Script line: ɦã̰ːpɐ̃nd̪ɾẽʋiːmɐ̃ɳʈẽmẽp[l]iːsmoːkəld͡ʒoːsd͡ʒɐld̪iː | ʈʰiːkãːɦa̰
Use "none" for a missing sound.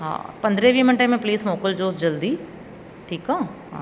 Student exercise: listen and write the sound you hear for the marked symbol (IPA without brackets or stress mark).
l